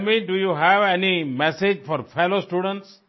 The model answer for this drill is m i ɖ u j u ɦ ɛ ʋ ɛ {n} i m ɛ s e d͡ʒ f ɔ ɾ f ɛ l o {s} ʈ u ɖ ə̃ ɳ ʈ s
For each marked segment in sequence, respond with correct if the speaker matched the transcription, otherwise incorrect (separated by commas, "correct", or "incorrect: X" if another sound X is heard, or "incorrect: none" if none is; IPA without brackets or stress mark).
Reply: correct, correct